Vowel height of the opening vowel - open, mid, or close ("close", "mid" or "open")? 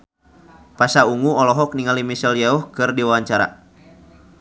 open